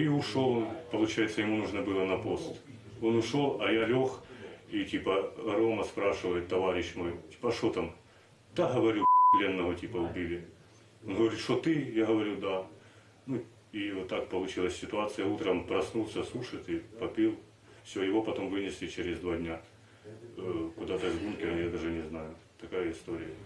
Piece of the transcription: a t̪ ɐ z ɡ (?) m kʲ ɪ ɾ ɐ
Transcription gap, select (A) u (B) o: A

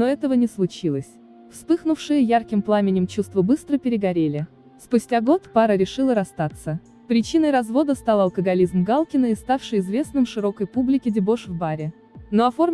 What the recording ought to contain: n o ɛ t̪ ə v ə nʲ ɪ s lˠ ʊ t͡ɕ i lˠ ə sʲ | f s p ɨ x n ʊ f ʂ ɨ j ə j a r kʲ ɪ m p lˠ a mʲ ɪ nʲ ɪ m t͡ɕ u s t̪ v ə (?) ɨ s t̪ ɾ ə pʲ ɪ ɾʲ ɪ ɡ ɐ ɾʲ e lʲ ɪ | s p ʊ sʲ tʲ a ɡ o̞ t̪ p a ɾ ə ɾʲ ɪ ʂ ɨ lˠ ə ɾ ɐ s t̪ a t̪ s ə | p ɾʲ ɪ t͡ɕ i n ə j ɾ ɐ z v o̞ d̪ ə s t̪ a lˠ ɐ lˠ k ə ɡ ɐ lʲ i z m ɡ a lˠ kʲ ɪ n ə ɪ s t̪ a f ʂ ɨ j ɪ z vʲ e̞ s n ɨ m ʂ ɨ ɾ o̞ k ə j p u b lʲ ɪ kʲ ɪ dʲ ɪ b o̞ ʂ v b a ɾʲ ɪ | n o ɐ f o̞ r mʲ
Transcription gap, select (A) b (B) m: A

